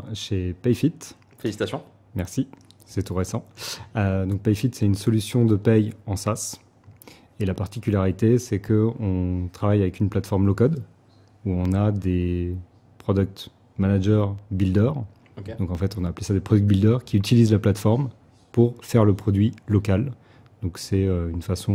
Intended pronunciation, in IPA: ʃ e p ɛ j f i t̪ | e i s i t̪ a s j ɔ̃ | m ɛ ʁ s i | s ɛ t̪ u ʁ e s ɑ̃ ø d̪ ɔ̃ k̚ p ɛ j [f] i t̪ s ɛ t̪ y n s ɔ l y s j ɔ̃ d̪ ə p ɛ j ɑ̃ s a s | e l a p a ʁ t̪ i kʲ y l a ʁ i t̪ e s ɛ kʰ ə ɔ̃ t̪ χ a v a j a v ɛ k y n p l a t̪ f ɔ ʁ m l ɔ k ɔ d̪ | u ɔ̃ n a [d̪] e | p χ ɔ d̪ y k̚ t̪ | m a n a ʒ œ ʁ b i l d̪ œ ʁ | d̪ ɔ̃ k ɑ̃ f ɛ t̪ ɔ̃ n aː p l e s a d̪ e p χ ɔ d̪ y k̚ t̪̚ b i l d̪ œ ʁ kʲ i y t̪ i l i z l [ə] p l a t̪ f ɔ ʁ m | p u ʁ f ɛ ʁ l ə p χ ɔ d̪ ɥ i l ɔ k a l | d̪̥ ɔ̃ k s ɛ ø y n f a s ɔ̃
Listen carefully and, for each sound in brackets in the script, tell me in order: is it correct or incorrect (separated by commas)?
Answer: correct, correct, incorrect